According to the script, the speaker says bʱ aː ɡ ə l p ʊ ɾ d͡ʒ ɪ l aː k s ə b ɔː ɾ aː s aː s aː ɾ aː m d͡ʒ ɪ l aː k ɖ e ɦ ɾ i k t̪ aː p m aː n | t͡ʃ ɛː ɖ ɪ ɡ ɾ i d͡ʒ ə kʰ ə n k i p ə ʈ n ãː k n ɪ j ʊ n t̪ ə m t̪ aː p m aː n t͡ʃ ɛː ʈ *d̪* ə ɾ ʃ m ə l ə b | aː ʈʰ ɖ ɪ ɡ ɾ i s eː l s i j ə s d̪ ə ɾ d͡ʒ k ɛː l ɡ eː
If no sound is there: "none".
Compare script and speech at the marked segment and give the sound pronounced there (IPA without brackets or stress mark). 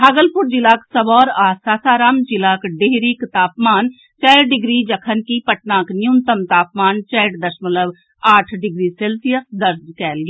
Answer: d̪